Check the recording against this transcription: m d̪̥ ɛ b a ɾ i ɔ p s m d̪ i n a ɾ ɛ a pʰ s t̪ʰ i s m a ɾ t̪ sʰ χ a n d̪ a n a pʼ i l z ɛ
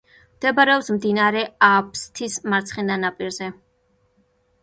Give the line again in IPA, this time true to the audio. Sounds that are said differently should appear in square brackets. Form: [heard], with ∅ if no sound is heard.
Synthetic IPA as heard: m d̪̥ ɛ b a ɾ [ɛ] ɔ p s m d̪ i n a ɾ ɛ a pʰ s t̪ʰ i s m a ɾ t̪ sʰ χ [ɛ] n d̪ a n a pʼ i [ɾ] z ɛ